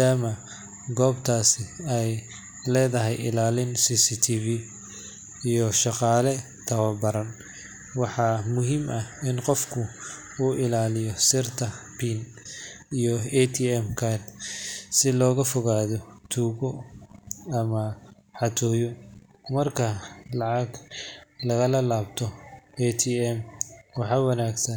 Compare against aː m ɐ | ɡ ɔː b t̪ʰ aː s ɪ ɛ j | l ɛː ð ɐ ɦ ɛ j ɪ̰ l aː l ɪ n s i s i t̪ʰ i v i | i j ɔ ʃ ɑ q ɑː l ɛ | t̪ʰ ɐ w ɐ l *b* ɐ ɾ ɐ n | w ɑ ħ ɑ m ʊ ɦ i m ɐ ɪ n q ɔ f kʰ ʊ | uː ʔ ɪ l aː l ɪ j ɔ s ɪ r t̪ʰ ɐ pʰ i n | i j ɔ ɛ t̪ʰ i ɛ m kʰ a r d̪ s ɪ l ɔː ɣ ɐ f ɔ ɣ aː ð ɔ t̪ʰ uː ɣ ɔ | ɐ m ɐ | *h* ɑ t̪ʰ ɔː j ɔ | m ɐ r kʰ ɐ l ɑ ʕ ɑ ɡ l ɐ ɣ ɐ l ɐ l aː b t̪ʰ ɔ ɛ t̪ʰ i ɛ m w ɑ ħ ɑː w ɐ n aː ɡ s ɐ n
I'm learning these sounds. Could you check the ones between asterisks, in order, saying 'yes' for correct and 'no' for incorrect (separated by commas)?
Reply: yes, no